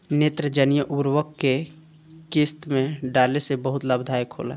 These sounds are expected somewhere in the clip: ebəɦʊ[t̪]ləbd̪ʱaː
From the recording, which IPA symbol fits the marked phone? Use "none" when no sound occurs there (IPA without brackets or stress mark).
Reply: t̪